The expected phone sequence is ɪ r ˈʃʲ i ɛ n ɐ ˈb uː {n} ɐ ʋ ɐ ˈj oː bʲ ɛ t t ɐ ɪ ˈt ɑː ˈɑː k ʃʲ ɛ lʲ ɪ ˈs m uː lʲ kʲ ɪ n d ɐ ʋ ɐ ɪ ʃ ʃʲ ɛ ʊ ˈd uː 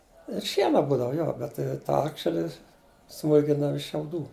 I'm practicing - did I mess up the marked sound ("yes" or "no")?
yes